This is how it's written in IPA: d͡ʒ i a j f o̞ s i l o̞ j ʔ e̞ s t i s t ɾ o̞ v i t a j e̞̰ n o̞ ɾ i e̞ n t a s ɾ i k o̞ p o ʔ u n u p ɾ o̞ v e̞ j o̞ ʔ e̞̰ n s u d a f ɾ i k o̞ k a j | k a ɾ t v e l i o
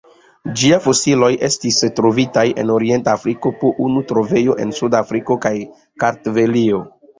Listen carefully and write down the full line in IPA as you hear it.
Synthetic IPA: d͡ʒ i a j f o̞ s i l o̞ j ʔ e̞ s t i s t ɾ o̞ v i t a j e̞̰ n o̞ ɾ i e̞ n t a f ɾ i k o̞ p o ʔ u n u t ɾ o̞ v e̞ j o̞ ʔ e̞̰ n s u d a f ɾ i k o̞ k a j | k a ɾ t v e l i o